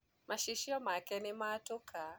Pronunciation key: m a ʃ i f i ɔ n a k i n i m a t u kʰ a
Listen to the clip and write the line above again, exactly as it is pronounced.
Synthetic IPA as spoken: m a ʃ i ʃ i ɔ m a k ɛ n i m a t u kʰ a